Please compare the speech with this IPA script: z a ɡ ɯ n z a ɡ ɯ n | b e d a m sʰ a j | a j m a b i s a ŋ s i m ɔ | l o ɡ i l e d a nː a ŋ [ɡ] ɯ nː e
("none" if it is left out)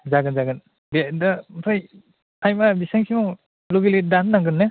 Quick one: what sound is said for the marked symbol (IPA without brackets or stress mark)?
ɡ